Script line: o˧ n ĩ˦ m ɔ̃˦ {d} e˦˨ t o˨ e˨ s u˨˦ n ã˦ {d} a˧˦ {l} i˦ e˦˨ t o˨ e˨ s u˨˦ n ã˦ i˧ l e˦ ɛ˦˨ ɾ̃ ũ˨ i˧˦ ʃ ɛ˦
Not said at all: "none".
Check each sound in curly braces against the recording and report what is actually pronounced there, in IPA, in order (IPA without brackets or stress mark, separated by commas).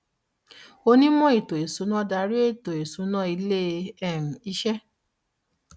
none, d, ɾ